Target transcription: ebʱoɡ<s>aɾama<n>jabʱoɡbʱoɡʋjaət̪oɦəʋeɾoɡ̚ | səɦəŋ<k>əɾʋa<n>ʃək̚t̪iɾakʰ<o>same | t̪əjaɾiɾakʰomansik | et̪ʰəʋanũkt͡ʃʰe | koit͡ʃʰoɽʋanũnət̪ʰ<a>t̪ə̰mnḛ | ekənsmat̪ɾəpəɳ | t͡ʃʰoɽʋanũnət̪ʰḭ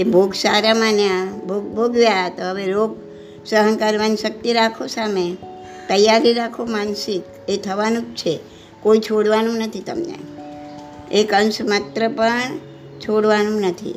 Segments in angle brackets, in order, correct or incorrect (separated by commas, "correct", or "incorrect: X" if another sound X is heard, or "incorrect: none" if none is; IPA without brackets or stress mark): correct, correct, correct, correct, correct, incorrect: i